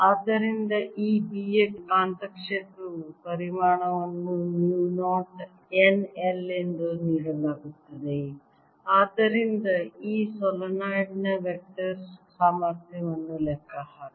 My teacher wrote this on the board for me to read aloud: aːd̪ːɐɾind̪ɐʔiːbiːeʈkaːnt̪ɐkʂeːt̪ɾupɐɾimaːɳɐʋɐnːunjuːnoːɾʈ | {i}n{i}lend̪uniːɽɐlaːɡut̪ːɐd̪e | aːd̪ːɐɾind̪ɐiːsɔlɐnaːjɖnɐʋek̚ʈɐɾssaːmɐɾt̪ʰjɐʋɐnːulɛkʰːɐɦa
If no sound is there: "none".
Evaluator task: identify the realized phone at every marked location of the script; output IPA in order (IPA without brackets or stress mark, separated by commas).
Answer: e, e